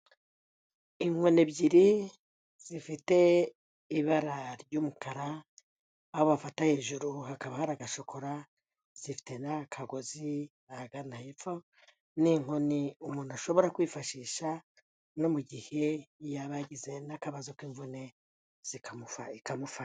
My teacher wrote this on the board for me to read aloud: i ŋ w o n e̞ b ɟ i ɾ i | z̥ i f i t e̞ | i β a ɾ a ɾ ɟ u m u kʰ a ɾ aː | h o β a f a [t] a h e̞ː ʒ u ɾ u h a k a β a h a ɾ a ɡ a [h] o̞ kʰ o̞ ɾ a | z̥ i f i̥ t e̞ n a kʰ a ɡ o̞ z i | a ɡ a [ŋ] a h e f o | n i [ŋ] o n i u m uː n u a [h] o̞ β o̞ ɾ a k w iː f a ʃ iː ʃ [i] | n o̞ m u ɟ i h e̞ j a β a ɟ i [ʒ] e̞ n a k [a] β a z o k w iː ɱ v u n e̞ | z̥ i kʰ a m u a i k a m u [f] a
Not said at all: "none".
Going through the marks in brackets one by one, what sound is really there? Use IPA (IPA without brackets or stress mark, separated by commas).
t, ʃ, n, ŋ, ʃ, a, z, a, f